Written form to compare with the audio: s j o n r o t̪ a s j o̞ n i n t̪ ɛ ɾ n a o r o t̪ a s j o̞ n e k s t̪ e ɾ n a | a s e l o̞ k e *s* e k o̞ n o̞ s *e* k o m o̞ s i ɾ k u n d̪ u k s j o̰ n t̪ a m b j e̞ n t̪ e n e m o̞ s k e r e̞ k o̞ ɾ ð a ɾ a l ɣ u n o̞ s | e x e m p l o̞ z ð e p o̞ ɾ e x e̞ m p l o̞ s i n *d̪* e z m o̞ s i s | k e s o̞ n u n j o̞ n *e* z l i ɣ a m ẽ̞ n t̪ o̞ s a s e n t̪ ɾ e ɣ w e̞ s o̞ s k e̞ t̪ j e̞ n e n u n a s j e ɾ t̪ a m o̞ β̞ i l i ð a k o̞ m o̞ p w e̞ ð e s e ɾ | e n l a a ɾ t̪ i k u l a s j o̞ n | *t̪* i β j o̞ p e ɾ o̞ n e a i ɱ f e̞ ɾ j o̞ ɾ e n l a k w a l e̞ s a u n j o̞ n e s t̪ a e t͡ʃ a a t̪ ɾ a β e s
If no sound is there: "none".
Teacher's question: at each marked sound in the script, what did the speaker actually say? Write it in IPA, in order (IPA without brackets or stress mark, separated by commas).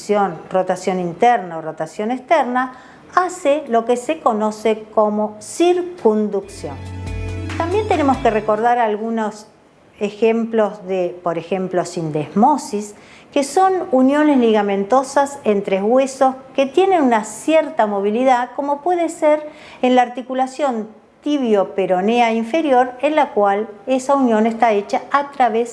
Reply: s, e, d̪, e, t̪